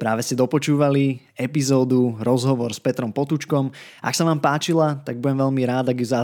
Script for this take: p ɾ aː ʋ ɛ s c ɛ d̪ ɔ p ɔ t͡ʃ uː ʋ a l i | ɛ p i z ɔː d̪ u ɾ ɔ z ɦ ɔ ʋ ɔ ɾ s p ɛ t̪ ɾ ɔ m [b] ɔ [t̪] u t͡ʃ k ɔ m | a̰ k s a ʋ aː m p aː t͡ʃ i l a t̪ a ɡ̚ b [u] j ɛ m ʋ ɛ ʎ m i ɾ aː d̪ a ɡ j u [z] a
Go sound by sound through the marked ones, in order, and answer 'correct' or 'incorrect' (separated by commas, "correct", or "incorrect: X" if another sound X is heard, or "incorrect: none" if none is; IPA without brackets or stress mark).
incorrect: p, correct, correct, correct